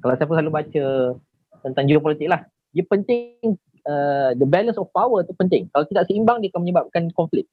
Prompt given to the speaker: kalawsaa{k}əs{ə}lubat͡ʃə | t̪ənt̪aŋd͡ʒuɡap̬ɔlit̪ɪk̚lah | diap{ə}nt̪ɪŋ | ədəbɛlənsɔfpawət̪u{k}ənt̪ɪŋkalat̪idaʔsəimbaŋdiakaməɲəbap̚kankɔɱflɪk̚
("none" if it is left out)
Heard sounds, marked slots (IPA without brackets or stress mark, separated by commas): p, a, ə, p